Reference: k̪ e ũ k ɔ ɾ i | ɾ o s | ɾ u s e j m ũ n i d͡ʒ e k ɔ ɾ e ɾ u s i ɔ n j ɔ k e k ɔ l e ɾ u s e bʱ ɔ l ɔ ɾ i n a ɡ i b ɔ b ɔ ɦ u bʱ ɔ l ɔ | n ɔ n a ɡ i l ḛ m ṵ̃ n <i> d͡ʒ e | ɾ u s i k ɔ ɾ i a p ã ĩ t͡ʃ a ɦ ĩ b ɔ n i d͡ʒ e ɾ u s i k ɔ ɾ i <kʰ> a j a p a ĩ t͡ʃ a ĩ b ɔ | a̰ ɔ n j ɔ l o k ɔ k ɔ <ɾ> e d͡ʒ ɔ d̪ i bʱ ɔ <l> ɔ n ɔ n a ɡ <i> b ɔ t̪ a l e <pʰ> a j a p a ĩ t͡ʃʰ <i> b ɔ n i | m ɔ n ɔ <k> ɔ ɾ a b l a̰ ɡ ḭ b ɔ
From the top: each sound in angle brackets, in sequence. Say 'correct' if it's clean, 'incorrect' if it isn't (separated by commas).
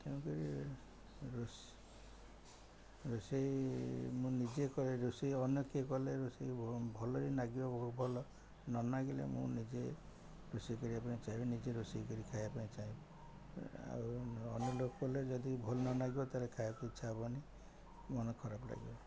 correct, correct, incorrect, correct, correct, incorrect, incorrect, incorrect